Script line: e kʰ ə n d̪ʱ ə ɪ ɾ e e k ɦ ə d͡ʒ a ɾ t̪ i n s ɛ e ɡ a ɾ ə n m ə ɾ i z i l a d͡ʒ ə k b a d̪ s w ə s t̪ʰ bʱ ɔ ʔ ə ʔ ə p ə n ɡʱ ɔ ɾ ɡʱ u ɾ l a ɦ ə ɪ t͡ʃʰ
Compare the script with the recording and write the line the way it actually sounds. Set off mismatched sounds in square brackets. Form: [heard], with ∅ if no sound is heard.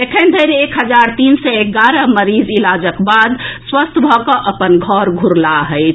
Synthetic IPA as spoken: e kʰ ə n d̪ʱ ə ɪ ɾ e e k ɦ ə d͡ʒ a ɾ t̪ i n s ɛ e ɡ a ɾ ə [∅] m ə ɾ i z i l a d͡ʒ ə k b a d̪ s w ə s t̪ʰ bʱ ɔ [k] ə ʔ ə p ə n ɡʱ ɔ ɾ ɡʱ u ɾ l a ɦ ə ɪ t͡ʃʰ